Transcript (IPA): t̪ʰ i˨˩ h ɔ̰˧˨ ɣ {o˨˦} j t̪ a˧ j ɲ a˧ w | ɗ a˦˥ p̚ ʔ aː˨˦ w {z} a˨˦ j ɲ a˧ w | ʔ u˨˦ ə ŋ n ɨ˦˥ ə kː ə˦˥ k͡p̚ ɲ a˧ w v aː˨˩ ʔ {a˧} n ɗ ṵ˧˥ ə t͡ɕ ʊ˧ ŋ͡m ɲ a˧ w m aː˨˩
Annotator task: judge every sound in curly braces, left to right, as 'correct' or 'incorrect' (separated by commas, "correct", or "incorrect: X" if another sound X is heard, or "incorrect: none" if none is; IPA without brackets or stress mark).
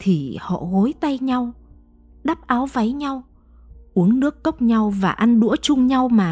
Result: correct, incorrect: v, correct